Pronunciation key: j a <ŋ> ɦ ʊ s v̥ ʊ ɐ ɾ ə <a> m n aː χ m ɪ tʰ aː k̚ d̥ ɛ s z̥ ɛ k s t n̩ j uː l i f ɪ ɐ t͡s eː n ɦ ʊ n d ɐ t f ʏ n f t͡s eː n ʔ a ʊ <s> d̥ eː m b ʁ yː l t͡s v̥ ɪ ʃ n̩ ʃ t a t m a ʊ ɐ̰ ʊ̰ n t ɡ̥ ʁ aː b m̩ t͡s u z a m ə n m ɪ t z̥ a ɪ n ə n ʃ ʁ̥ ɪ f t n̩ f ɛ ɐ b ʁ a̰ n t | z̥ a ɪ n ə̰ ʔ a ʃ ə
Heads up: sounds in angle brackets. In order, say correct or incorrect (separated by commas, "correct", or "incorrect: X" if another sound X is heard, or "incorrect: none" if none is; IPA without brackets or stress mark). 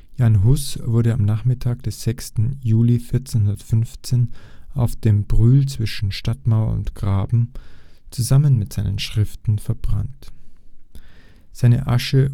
incorrect: n, correct, incorrect: f